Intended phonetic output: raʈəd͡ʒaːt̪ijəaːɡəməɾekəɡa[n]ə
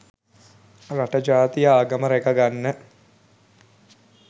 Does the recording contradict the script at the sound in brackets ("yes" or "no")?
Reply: yes